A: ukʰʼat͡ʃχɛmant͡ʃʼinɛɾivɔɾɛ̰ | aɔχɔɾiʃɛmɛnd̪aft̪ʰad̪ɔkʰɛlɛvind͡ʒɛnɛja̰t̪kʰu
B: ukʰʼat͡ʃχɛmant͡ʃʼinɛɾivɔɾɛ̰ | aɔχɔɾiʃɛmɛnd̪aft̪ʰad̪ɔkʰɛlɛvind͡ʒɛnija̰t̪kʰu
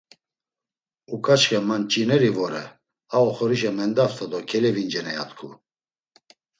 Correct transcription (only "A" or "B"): A